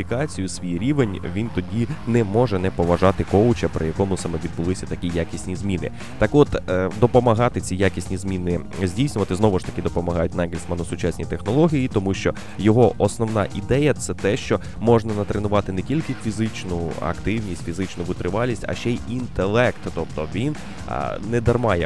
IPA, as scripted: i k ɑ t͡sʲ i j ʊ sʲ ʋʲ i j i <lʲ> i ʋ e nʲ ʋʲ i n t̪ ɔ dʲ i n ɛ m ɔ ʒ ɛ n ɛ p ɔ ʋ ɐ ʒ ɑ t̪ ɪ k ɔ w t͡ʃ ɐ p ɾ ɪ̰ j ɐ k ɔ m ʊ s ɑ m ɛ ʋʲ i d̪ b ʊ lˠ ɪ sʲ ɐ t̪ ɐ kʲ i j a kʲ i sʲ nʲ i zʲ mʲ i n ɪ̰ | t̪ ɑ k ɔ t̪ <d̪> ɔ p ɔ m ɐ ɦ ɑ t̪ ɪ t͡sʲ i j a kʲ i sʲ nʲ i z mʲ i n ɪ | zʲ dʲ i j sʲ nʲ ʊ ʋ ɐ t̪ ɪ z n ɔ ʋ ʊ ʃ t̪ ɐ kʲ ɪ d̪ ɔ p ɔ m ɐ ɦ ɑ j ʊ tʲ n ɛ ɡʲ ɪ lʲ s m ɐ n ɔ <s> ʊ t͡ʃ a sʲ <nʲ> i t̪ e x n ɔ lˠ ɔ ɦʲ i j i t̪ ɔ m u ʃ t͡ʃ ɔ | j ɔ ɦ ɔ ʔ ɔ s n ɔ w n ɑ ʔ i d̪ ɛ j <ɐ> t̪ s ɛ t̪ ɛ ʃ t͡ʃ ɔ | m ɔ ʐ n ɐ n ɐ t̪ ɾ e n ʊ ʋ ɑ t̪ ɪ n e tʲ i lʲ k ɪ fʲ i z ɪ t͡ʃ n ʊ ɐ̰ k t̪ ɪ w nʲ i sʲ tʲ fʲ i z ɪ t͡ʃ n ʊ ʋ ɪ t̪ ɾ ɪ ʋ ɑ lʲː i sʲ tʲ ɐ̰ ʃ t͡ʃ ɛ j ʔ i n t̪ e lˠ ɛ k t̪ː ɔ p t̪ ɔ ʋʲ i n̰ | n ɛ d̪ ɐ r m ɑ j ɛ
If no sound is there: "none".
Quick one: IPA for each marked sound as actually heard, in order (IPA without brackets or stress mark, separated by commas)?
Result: ɾʲ, d̪, s, nʲ, ɐ